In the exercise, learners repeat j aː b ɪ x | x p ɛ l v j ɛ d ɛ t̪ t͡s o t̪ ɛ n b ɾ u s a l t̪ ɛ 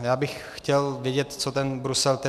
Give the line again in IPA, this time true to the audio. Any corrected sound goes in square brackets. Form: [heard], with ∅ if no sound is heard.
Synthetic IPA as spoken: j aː b ɪ x | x [c] ɛ l v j ɛ [ɟ] ɛ t̪ t͡s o t̪ ɛ n b ɾ u s [ɛ] l t̪ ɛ